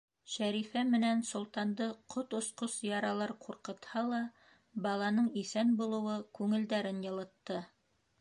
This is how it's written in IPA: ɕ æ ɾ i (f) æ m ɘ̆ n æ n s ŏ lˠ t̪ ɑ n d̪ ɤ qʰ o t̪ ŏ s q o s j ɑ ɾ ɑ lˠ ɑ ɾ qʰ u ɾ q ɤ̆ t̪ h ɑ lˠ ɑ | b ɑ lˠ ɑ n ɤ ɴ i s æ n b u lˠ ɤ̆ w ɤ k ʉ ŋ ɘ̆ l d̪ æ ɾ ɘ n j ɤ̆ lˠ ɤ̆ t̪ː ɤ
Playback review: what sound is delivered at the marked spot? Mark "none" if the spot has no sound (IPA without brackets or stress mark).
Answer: f